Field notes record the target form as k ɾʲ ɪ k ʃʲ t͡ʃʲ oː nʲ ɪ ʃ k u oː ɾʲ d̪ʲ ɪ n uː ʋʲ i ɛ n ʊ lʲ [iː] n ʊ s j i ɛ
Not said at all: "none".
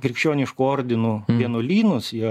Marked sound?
iː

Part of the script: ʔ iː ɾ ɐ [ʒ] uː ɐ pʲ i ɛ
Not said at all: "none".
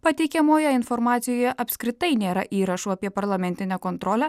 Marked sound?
ʃ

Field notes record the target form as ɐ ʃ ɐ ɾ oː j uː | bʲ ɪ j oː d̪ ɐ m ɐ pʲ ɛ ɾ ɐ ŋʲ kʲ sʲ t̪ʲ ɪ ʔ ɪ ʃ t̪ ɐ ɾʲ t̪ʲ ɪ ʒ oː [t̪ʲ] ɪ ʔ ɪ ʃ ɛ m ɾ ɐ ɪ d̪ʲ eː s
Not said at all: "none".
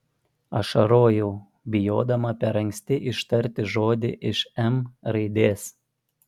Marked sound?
d̪ʲ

